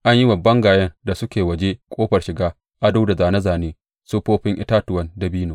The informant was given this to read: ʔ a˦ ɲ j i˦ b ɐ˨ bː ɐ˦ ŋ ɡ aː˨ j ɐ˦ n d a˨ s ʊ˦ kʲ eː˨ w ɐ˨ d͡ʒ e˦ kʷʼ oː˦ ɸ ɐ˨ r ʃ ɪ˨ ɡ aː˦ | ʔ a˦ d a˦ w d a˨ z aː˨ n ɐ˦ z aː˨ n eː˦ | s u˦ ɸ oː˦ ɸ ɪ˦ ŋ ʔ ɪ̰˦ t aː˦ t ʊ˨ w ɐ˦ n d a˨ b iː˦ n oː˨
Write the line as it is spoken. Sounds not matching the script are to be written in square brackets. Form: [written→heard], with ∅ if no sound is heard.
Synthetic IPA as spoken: ʔ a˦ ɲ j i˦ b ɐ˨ bː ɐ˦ ŋ ɡ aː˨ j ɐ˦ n d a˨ s ʊ˦ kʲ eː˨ w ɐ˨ d͡ʒ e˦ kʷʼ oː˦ ɸ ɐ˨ r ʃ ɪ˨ ɡ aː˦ | ʔ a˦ d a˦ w d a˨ z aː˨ n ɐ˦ z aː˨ n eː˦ | s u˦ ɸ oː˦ ɸ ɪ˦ ŋ ʔ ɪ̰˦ t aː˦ t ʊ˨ w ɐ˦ n d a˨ b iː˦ n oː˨